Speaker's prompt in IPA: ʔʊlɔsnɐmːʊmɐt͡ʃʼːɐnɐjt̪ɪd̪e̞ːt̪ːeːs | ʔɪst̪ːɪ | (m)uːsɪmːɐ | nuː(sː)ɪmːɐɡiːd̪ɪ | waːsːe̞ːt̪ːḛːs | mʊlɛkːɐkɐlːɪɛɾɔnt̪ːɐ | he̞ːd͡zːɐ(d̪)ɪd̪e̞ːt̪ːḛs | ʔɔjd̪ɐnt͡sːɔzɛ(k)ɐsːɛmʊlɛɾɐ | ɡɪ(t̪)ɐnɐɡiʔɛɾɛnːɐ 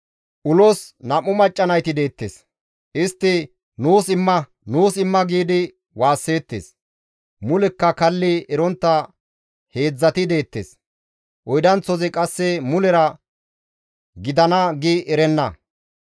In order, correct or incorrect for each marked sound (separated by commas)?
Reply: incorrect, incorrect, incorrect, incorrect, incorrect